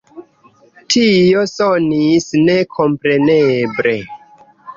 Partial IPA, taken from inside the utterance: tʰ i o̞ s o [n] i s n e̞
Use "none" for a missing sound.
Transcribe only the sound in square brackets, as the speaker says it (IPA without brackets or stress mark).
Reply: n